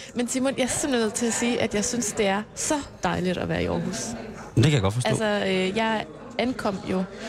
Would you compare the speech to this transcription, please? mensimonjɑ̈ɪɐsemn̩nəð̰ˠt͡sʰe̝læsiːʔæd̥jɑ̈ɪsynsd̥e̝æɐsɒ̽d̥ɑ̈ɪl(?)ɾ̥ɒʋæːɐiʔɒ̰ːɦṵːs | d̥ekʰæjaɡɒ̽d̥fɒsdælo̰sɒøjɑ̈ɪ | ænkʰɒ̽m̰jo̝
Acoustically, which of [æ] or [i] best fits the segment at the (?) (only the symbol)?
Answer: i